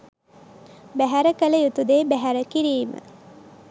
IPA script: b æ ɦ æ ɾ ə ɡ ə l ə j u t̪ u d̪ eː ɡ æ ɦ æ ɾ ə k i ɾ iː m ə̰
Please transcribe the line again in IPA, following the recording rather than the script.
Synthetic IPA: b æ ɦ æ ɾ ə k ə l ə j u t̪ u d̪ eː b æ ɦ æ ɾ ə k i ɾ iː m ə̰